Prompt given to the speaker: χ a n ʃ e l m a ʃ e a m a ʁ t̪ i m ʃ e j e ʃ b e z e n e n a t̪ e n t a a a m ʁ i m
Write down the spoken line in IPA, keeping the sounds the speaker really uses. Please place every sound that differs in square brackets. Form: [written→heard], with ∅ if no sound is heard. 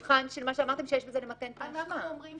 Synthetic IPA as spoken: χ a n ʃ e l m a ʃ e a m a ʁ t̪ [i→e] m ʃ e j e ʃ b e z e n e [n→m] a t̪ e n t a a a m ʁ i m